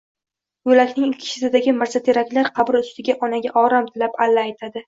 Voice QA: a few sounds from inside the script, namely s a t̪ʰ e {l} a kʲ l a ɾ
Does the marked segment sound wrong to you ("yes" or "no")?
yes